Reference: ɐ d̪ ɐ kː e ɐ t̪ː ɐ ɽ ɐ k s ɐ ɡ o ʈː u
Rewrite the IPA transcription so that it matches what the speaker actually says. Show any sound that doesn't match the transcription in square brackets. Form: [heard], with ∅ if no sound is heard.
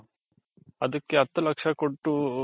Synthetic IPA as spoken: ɐ d̪ ɐ kː e ɐ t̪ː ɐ [l] ɐ k [ʂ] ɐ [k] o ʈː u